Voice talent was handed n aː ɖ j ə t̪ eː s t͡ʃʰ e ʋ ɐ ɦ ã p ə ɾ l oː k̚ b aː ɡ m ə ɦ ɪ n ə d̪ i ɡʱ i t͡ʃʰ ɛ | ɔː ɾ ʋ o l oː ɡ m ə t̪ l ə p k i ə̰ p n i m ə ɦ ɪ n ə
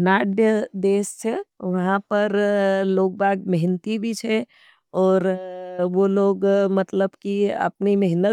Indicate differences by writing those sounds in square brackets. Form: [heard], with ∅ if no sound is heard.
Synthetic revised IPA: n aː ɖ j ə [d̪] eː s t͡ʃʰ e ʋ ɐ ɦ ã p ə ɾ l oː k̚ b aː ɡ m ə ɦ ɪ n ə [t̪] i [bʱ] i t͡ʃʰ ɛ | ɔː ɾ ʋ o l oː ɡ m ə t̪ l ə [b] k i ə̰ p n i m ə ɦ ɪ n ə